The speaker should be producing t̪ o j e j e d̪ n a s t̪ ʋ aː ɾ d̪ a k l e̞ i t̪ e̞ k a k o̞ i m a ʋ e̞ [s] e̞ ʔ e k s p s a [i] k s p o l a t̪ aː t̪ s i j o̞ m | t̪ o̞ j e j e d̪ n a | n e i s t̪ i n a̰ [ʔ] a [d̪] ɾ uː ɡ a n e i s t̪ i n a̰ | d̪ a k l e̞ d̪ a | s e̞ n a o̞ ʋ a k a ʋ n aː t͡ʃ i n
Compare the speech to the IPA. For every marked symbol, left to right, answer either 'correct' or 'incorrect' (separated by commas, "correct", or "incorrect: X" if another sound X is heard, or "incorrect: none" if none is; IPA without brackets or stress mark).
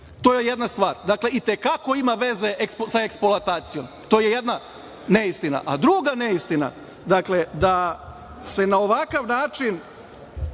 incorrect: z, incorrect: e, correct, correct